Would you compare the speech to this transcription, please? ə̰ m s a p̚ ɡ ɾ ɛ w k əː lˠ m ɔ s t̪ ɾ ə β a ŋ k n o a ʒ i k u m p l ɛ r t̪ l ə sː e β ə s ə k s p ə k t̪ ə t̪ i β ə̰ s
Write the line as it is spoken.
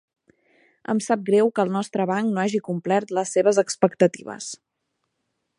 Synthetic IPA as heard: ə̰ m s a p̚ ɡ ɾ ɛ w k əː lˠ n ɔ s t̪ ɾ ə β a ŋ k n o a ʒ i k u m p l ɛ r t̪ l ə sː e β ə z ə k s p ə k t̪ ə t̪ i β ə̰ s